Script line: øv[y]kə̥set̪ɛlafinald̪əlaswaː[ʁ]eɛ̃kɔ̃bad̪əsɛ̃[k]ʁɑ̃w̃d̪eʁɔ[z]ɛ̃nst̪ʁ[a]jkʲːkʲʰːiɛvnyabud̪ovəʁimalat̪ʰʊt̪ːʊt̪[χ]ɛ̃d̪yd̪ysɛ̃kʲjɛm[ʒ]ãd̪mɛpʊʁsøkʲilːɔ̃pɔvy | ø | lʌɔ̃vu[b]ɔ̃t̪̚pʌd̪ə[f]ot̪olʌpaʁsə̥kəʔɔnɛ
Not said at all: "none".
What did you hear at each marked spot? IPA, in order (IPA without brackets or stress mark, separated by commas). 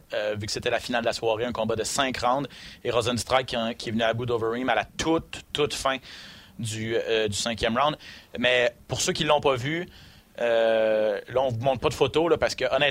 y, ʁ, k, z, a, f, ʁ, m, f